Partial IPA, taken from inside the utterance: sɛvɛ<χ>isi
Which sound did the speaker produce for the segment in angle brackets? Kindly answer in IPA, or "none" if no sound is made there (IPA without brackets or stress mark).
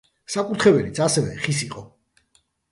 χ